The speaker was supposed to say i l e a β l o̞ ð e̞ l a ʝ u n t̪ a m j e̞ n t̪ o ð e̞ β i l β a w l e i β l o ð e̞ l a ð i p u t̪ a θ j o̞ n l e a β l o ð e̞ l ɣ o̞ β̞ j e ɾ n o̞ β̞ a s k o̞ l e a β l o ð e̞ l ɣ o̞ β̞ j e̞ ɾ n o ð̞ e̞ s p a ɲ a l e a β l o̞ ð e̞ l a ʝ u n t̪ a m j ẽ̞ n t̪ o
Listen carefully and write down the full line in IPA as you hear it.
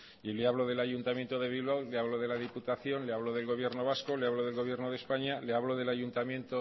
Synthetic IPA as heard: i l e a β l o̞ ð e̞ l a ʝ u n t̪ a m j e̞ n t̪ o ð e̞ β i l β a w l e a β l o ð e̞ l a ð i p u t̪ a θ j o̞ n l e a β l o ð e̞ l ɣ o̞ β̞ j e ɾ n o̞ β̞ a s k o̞ l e a β l o ð e̞ l ɣ o̞ β̞ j e̞ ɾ n o ð̞ e̞ s p a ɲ a l e a β l o̞ ð e̞ l a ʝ u n t̪ a m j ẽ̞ n t̪ o